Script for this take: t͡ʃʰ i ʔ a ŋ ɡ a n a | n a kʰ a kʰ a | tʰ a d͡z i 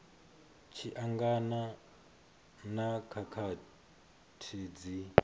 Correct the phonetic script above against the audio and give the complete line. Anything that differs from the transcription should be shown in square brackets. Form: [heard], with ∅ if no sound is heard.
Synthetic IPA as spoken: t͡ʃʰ i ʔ a ŋ ɡ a n a | n a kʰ a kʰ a | tʰ [i] d͡z i